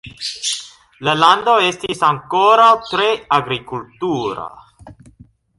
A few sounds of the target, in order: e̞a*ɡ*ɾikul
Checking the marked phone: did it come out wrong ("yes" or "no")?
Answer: no